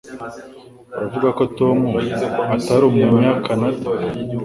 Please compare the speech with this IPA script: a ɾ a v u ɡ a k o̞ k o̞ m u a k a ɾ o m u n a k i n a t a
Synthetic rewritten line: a ɾ a v u ɡ a k o̞ t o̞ m u a t a ɾ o m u ɲ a k a n a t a